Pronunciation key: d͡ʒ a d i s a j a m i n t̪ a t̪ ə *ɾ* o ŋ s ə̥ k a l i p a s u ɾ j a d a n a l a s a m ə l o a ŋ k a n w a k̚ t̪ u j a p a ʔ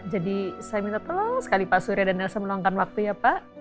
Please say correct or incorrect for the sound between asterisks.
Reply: incorrect